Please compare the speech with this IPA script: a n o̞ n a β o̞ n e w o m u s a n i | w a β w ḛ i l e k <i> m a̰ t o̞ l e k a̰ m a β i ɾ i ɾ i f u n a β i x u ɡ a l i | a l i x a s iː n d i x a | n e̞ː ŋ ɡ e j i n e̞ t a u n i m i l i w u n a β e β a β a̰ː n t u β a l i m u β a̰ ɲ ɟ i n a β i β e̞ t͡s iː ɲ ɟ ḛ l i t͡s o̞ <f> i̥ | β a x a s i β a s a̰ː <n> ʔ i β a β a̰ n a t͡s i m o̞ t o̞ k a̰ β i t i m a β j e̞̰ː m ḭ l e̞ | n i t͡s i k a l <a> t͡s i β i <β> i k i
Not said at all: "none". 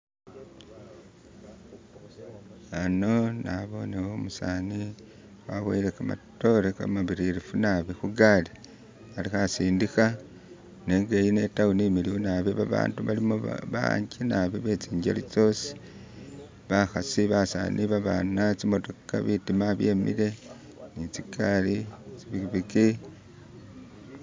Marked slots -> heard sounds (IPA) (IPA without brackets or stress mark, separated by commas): a, s, n, i, β